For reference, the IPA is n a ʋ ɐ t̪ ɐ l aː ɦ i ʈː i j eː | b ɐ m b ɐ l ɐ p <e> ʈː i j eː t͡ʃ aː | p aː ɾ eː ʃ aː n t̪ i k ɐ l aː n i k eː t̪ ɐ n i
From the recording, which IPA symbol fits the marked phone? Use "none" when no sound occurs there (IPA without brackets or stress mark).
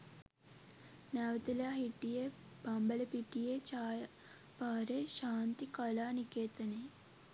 i